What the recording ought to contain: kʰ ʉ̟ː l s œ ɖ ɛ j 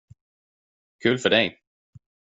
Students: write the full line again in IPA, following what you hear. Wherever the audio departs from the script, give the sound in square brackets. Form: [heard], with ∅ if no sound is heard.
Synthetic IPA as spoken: kʰ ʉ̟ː l [f] œ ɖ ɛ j